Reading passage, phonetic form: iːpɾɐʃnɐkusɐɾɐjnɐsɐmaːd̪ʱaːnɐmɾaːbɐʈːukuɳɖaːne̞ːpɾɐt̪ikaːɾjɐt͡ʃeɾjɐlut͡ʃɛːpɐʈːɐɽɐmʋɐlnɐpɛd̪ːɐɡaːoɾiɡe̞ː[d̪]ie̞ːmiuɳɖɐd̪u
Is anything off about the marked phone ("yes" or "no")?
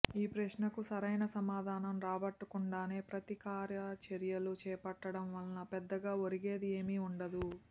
no